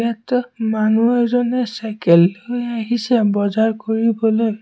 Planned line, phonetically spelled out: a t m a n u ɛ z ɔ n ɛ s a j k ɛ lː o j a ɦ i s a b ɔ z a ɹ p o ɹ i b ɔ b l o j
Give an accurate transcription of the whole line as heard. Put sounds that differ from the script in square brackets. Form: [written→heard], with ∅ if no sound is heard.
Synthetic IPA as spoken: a t m a n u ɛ z ɔ n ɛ s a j k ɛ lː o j a ɦ i s [a→ɛ] b ɔ z a ɹ [p→k] o ɹ i b ɔ [b→∅] l o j